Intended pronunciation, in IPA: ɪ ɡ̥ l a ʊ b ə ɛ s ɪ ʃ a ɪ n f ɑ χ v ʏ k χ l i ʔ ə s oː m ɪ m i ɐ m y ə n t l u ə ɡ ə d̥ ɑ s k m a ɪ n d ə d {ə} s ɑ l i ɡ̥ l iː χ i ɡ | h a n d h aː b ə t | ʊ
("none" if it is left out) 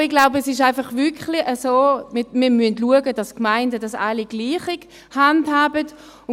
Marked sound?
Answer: ɑ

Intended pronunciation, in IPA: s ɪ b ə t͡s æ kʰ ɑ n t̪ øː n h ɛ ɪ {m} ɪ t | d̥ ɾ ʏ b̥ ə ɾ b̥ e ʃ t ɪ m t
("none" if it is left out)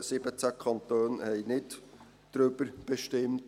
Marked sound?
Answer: n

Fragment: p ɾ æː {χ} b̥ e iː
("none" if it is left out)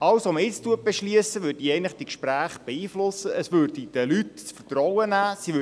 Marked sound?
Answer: χ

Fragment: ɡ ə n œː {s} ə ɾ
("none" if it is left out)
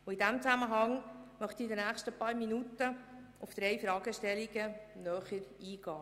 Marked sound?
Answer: χ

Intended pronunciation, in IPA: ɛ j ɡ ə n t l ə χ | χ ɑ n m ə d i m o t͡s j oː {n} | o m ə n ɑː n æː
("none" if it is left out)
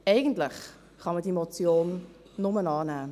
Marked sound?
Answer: nː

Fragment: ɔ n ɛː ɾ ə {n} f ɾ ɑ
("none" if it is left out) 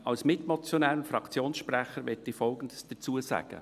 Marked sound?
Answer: n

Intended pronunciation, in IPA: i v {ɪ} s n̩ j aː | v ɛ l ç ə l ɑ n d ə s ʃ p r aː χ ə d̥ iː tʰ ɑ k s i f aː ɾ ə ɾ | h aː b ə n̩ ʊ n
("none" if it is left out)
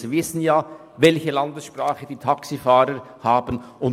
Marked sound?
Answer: ɪ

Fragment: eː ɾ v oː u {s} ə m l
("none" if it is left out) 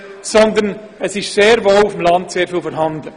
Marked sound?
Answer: f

